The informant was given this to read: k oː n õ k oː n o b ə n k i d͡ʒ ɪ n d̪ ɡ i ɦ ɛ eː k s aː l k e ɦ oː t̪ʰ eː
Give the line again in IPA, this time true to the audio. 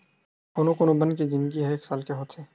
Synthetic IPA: k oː n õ k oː n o b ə n k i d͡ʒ ɪ n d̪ ɡ i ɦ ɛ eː k s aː l k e ɦ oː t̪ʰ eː